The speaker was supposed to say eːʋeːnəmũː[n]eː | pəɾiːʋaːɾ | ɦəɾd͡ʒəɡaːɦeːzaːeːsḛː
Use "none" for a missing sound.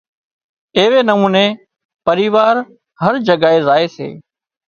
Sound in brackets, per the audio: n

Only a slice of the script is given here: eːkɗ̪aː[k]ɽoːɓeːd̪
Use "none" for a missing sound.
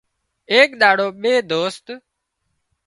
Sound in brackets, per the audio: none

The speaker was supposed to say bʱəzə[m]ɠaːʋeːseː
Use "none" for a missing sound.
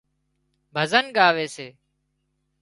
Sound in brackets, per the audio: n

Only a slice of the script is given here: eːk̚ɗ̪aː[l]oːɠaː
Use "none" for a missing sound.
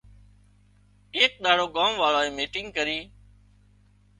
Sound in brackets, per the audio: ɽ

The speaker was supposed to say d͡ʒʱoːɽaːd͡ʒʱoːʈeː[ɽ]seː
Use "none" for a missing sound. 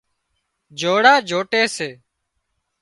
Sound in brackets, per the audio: none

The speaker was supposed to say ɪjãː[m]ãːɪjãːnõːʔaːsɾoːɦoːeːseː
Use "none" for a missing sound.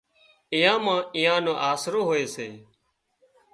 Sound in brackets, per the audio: m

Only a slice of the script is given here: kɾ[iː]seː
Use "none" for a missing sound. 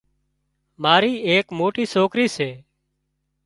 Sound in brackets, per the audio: iː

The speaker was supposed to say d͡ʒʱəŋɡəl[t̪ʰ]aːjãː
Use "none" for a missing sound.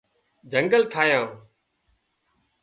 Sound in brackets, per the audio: t̪ʰ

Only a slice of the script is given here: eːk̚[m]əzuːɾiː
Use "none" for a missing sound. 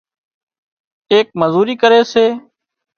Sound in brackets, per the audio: m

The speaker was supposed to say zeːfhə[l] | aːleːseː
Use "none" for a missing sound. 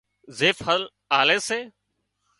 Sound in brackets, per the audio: l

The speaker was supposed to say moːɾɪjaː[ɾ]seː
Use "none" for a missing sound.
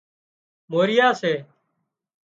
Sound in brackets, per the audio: none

